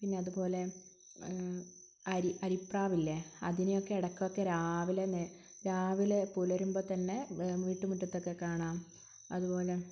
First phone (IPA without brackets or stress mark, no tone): p